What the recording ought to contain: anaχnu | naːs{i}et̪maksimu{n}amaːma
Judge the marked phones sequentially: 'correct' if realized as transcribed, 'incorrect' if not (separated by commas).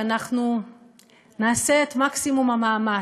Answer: incorrect, incorrect